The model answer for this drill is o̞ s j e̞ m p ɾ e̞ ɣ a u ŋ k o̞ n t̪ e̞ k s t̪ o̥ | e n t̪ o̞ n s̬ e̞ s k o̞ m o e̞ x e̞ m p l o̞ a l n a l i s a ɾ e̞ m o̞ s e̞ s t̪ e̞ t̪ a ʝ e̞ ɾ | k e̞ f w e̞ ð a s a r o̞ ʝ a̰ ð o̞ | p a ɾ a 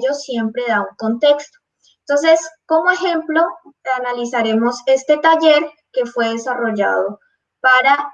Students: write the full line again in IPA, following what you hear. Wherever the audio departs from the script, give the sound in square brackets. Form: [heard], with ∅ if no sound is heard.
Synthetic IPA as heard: o̞ s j e̞ m p ɾ e̞ [ð] a u ŋ k o̞ n t̪ e̞ k s t̪ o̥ | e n t̪ o̞ n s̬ e̞ s k o̞ m o e̞ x e̞ m p l o̞ a [∅] n a l i s a ɾ e̞ m o̞ s e̞ s t̪ e̞ t̪ a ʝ e̞ ɾ | k e̞ f w e̞ ð [e] s a r o̞ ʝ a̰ ð o̞ | p a ɾ a